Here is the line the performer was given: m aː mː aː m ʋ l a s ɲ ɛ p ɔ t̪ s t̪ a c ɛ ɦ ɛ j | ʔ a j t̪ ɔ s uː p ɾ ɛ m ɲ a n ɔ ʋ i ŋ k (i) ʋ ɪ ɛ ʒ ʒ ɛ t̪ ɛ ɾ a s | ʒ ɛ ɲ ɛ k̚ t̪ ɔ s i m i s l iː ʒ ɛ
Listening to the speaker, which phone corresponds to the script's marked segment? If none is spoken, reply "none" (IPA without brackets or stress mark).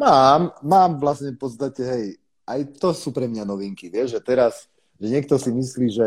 i